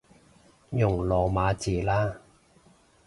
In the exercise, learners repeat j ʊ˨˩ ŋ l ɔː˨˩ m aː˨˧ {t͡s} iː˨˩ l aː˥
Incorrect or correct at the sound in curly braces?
correct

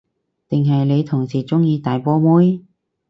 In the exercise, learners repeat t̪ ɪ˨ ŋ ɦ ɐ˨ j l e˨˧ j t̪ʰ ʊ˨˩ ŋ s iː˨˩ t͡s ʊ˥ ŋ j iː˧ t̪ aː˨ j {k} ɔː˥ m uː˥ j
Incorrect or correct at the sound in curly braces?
incorrect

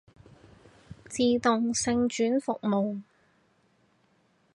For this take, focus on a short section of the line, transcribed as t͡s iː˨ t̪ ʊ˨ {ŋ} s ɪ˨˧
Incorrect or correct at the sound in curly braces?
correct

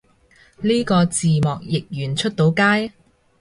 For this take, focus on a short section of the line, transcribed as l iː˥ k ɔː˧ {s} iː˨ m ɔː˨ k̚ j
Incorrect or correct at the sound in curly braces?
incorrect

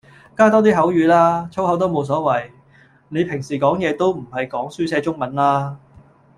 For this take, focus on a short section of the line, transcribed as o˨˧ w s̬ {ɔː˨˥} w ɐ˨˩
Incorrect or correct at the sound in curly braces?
correct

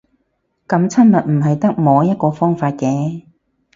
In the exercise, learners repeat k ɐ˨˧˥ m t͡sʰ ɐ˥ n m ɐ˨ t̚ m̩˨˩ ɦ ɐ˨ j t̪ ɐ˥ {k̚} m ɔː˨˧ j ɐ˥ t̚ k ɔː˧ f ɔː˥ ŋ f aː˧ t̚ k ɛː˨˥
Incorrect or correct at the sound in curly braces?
correct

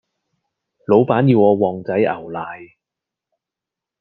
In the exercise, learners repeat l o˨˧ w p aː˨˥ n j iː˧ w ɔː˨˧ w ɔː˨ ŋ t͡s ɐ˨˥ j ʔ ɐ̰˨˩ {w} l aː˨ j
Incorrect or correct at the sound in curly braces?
correct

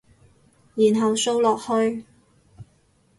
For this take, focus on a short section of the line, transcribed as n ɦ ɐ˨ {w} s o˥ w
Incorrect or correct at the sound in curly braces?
correct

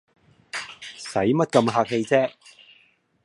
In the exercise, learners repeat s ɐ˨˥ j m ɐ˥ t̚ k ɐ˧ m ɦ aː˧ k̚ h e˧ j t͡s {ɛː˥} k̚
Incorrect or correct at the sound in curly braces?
correct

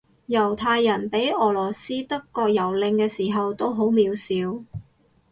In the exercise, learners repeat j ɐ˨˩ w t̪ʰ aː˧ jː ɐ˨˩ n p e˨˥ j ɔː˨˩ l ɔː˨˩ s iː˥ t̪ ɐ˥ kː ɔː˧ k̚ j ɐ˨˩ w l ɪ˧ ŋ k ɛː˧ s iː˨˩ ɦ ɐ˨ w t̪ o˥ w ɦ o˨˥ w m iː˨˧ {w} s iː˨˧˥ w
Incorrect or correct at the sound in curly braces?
correct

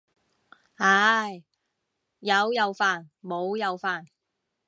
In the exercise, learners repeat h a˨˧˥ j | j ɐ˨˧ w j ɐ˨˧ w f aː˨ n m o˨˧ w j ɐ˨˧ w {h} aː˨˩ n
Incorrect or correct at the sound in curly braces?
incorrect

